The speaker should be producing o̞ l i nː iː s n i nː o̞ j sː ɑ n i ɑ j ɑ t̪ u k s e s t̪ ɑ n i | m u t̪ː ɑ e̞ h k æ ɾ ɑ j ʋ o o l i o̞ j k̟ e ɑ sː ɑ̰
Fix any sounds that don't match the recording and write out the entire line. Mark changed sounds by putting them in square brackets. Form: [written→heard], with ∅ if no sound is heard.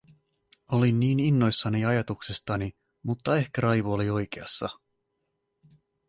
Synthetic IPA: o̞ l i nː iː [s→∅] n i nː o̞ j sː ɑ n i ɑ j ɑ t̪ u k s e s t̪ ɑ n i | m u t̪ː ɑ e̞ h k æ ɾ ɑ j ʋ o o l i o̞ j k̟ e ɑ sː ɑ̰